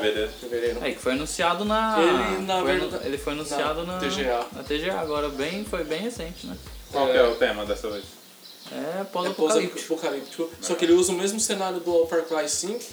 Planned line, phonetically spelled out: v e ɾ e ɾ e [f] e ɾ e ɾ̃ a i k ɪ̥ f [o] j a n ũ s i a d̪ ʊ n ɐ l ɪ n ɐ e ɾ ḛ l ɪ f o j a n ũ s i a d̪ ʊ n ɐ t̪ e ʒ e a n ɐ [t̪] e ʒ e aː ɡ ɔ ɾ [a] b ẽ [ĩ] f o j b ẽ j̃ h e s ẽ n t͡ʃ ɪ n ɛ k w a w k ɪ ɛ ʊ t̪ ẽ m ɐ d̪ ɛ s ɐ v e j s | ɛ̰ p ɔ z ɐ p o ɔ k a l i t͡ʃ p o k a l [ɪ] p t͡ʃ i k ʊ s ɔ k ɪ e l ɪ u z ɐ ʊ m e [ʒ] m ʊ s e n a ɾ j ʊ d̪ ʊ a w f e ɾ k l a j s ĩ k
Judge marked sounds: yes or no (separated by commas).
no, yes, yes, no, no, no, no